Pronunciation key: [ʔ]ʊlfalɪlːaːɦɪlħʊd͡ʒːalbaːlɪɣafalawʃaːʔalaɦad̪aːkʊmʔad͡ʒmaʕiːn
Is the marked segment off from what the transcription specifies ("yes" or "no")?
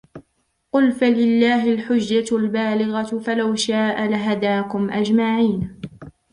yes